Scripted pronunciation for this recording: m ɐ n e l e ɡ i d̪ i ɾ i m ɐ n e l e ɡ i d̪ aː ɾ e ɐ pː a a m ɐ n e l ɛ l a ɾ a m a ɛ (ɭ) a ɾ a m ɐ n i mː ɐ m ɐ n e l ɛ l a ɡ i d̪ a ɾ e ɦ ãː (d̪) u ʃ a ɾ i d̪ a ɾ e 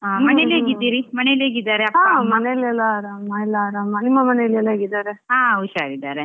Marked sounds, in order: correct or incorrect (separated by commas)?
incorrect, incorrect